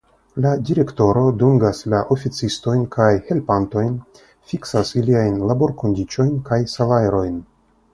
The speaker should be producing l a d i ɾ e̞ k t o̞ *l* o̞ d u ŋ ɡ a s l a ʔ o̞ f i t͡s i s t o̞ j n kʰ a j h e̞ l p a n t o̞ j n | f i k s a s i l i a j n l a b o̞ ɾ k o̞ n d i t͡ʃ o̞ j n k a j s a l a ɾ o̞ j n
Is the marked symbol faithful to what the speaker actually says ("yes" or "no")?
no